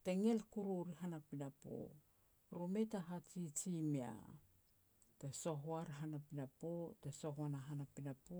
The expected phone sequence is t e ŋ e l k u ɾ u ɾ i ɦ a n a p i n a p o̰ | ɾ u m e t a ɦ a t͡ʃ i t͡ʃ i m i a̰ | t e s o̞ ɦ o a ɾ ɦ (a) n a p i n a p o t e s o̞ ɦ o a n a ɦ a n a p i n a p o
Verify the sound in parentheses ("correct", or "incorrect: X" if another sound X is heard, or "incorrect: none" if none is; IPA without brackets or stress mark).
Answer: correct